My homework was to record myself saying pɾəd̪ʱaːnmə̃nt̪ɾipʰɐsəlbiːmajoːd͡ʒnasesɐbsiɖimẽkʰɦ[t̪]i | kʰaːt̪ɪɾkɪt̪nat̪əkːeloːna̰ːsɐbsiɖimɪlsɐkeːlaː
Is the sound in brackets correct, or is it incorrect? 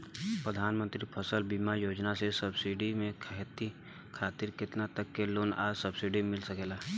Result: correct